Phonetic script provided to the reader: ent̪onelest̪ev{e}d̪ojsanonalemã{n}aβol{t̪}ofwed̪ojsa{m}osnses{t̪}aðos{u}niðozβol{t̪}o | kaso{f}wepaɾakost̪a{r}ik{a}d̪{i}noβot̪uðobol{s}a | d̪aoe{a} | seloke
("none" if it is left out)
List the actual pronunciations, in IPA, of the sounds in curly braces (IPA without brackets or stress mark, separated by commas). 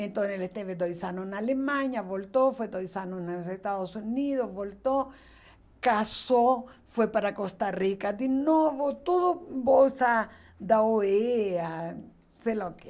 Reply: e, ɲ, t̪, n, t̪, u, t̪, f, r, a, i, s, a